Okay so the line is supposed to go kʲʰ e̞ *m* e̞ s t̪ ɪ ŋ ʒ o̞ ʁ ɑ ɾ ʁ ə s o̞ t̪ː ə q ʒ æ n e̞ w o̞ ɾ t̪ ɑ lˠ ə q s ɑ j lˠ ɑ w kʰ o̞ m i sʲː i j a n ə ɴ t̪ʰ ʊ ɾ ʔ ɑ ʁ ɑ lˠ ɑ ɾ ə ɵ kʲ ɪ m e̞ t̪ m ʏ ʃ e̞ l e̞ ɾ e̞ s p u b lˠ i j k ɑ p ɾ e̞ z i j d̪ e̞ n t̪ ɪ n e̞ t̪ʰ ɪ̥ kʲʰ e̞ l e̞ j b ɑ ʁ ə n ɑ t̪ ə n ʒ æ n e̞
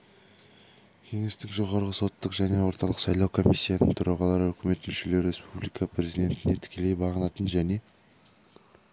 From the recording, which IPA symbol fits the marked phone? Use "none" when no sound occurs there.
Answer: ŋ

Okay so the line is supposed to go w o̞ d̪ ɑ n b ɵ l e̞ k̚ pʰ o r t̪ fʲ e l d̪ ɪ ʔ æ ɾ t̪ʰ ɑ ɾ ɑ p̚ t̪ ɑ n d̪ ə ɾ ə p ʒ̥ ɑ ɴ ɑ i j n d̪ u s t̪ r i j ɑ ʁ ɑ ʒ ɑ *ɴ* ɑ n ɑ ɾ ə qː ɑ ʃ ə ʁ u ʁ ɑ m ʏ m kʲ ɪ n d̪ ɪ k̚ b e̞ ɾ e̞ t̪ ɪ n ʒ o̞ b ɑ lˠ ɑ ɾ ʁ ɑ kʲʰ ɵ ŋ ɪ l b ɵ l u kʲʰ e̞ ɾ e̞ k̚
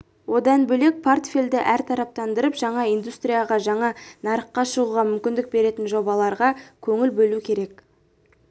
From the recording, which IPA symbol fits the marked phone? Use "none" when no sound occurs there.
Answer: ɴ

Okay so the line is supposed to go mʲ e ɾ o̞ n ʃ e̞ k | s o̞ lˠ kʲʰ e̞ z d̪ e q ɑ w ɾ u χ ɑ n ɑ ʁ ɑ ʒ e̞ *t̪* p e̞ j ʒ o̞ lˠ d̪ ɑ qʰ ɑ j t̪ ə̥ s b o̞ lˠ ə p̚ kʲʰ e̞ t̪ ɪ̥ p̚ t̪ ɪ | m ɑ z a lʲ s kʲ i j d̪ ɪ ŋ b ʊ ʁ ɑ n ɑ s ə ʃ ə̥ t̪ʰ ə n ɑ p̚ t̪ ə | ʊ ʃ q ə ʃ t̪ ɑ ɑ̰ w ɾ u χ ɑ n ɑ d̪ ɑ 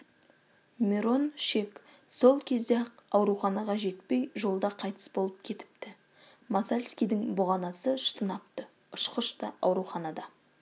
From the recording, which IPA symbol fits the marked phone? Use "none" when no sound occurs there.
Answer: t̪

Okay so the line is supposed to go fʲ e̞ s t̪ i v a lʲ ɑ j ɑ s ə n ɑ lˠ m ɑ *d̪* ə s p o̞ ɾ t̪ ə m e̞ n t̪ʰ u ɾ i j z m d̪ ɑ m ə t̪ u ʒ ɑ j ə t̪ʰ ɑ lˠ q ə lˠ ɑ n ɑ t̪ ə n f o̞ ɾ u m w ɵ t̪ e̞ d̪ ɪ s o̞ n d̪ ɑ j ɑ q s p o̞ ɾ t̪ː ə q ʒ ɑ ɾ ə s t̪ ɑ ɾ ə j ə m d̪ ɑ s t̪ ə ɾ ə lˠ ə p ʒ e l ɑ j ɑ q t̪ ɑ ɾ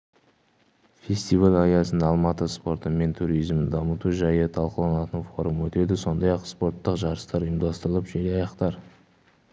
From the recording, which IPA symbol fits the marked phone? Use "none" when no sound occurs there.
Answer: t̪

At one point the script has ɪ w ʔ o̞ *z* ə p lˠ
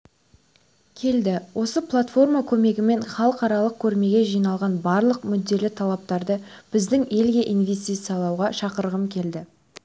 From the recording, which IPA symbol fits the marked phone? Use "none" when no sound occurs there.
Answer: s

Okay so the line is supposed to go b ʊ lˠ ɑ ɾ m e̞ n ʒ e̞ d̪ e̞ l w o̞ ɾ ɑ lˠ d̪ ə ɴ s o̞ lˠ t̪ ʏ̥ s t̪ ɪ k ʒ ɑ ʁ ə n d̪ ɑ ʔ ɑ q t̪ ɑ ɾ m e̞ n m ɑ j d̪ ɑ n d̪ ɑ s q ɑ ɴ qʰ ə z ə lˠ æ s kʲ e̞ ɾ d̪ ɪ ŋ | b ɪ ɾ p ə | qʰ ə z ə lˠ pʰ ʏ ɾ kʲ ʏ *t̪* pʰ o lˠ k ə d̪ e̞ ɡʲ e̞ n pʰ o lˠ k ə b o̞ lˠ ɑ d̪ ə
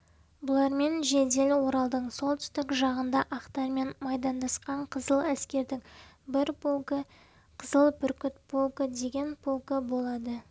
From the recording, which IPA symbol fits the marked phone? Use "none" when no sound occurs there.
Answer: t̪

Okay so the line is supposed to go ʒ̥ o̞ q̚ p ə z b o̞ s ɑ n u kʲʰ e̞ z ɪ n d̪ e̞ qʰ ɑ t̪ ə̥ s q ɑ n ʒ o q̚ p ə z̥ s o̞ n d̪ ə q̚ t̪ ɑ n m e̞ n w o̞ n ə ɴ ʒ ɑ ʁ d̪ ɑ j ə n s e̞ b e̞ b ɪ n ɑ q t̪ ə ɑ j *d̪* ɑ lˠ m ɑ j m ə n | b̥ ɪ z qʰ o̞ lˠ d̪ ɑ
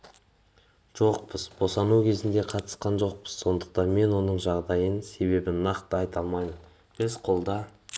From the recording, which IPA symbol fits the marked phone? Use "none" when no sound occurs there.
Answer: t̪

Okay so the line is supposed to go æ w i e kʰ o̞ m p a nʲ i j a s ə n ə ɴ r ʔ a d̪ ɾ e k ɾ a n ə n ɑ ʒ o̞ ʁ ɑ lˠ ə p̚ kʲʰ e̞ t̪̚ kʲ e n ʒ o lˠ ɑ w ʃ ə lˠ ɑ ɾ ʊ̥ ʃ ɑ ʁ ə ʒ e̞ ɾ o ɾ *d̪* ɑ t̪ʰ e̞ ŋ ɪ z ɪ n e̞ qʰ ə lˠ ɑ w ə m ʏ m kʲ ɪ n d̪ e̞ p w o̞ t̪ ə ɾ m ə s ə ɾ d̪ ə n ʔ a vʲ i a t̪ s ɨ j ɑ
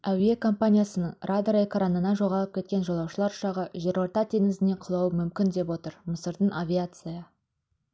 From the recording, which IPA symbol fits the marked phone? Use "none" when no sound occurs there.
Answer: t̪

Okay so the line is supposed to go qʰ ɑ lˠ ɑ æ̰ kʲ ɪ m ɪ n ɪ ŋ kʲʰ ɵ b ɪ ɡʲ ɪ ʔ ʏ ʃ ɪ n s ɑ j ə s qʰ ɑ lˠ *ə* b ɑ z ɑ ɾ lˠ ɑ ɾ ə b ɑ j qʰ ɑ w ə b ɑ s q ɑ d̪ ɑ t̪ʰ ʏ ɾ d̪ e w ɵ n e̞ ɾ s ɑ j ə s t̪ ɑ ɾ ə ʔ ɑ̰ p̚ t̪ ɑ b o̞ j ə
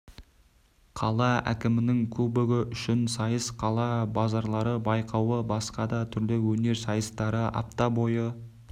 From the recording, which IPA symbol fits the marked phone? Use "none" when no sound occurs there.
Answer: ɑ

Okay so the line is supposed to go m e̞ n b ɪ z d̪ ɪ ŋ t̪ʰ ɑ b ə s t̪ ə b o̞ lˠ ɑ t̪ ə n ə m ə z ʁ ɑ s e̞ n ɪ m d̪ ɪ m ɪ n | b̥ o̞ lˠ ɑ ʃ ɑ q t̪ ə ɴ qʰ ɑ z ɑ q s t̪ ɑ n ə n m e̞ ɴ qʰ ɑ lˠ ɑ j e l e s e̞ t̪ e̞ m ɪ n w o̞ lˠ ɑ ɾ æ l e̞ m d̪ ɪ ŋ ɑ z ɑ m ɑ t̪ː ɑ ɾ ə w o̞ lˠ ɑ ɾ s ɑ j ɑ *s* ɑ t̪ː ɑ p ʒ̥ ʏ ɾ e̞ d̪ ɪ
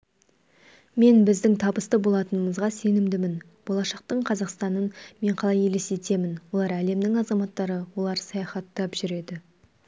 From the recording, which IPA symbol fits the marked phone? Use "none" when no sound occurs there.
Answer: χ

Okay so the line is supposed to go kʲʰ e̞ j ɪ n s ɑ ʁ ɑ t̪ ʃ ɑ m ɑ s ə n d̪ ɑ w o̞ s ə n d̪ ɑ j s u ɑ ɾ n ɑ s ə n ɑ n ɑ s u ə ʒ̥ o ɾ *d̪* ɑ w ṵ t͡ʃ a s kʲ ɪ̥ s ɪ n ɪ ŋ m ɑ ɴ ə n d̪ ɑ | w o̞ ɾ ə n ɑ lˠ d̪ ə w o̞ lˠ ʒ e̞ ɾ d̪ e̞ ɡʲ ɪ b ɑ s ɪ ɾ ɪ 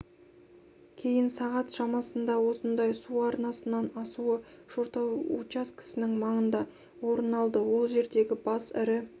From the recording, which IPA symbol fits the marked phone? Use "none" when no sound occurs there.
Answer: t̪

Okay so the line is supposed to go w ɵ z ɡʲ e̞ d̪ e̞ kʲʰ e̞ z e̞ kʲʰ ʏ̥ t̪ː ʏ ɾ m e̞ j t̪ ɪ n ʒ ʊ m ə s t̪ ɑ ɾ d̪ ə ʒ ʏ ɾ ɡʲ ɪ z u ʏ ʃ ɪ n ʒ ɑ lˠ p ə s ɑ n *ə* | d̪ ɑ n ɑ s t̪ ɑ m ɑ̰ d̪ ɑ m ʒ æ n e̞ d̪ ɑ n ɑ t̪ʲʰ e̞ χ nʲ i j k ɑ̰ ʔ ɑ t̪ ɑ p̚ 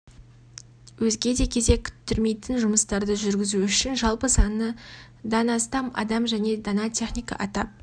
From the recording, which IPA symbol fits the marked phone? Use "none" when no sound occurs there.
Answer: ə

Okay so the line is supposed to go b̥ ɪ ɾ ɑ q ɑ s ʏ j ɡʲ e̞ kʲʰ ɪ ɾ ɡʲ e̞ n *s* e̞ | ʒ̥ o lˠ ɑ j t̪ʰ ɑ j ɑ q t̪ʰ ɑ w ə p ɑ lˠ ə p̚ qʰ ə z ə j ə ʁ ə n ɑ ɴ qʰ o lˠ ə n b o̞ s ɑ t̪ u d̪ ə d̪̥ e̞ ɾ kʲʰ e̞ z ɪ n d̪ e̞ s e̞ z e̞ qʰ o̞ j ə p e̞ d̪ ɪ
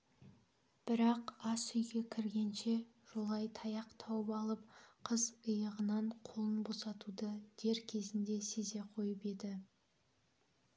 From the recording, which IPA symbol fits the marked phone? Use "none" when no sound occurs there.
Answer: ʃ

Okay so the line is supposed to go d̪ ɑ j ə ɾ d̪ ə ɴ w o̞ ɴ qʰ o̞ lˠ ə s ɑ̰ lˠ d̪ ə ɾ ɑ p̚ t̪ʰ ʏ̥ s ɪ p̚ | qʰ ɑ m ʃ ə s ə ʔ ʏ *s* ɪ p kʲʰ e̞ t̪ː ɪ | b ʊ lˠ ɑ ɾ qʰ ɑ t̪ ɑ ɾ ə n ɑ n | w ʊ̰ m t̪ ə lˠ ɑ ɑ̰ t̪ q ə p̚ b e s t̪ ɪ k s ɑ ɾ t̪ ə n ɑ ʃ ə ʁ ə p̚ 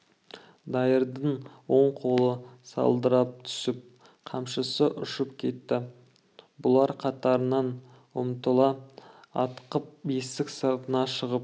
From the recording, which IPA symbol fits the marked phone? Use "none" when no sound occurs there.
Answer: ʃ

